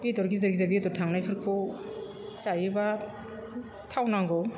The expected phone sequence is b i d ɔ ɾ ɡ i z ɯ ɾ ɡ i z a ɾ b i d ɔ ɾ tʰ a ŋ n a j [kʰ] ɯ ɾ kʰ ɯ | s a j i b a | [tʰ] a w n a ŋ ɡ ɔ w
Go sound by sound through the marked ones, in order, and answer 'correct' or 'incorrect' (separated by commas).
incorrect, correct